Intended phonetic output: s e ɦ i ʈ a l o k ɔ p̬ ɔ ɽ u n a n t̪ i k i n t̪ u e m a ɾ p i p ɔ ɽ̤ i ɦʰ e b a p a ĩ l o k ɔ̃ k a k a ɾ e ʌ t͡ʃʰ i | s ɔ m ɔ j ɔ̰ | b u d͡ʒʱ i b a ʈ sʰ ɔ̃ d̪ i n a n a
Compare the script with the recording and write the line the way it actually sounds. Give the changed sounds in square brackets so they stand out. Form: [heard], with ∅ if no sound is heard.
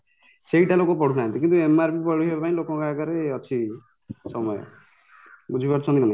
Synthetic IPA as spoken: s e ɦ i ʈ a l o k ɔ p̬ ɔ ɽ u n a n t̪ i k i n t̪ u e m a ɾ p i p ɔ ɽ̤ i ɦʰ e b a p a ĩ l o k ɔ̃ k a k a ɾ e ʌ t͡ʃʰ i | s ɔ m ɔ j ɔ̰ | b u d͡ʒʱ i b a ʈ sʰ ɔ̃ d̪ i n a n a